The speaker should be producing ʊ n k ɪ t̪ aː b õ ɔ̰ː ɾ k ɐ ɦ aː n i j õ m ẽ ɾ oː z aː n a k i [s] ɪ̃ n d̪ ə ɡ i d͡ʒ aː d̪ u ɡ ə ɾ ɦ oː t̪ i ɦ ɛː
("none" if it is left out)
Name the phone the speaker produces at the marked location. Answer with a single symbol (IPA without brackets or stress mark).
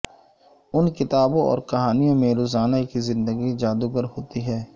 z